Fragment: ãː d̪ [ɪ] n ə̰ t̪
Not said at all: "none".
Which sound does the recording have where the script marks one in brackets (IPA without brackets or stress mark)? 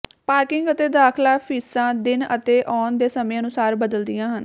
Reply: ɪ